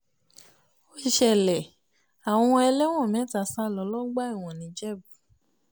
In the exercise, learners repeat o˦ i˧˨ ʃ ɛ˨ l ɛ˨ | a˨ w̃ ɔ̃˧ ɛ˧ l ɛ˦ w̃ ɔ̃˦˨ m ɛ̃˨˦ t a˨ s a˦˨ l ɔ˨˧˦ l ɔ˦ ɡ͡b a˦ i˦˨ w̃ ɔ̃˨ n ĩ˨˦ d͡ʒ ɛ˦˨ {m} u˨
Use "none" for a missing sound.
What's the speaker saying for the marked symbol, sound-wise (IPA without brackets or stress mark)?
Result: b